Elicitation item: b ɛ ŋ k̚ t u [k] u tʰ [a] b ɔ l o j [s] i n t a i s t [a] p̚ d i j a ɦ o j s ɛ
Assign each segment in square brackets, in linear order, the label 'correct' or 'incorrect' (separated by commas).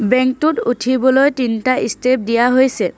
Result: incorrect, incorrect, incorrect, incorrect